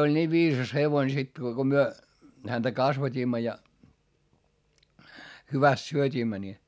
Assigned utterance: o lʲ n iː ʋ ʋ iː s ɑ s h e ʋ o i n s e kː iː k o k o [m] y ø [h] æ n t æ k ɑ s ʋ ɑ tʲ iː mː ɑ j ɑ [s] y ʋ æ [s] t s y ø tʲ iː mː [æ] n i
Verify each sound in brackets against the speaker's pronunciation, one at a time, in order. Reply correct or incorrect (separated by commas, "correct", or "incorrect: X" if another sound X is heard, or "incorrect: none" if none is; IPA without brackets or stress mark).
correct, correct, incorrect: h, correct, correct